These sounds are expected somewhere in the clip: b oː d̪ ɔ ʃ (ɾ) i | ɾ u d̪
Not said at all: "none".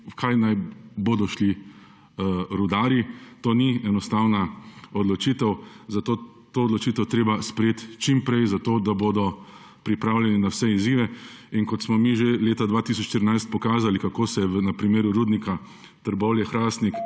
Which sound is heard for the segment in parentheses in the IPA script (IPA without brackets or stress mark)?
l